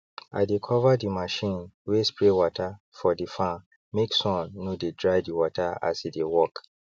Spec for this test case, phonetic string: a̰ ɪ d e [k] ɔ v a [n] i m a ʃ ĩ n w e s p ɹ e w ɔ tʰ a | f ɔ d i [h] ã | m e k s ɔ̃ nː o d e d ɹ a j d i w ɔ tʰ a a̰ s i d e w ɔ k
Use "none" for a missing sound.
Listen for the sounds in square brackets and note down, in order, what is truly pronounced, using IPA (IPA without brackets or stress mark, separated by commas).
kʰ, d, f